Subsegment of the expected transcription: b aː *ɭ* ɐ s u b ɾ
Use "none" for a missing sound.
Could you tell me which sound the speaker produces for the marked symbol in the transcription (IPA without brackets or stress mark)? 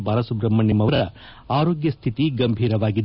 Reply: ɾ